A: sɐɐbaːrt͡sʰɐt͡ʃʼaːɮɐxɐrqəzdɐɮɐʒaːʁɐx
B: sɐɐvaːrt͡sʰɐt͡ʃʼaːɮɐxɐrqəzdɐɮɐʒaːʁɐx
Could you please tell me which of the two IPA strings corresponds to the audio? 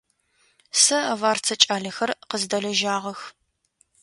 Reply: B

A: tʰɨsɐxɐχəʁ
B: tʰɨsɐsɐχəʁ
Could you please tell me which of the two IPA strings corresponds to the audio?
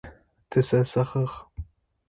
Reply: B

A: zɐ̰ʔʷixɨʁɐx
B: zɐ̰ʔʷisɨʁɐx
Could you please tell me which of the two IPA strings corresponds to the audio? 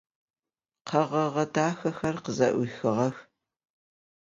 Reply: A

